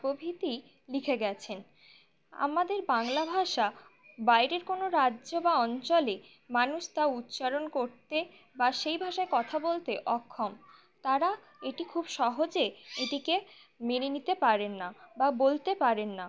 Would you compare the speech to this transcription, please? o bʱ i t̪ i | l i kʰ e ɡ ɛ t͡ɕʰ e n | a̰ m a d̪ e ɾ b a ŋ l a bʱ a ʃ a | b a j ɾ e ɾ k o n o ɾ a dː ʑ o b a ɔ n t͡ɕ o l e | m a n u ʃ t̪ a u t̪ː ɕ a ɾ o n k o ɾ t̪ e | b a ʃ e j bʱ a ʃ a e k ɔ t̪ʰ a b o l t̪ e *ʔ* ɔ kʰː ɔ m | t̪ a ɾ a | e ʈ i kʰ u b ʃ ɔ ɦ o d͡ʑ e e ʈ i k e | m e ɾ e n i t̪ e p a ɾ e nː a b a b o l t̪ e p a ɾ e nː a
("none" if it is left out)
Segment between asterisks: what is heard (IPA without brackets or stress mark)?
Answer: ʔ